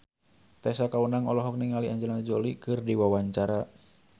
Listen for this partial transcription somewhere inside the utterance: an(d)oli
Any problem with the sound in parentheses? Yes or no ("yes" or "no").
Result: yes